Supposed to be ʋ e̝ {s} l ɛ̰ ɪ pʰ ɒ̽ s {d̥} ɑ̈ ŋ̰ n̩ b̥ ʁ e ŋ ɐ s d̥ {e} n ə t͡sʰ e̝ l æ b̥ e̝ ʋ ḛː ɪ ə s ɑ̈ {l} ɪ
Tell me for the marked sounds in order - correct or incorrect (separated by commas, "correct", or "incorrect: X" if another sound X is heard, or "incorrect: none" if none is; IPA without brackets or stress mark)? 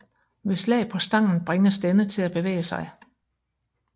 correct, correct, correct, incorrect: none